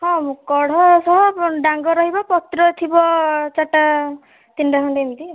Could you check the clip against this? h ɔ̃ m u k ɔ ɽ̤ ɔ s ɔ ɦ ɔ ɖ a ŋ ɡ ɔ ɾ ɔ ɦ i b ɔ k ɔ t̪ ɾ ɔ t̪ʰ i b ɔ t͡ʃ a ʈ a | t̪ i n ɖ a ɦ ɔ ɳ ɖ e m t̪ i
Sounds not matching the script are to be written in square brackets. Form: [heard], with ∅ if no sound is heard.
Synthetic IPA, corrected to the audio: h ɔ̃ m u k ɔ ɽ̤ ɔ s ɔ ɦ ɔ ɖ a ŋ ɡ ɔ ɾ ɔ ɦ i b ɔ [p] ɔ t̪ ɾ ɔ t̪ʰ i b ɔ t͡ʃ a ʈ a | t̪ i n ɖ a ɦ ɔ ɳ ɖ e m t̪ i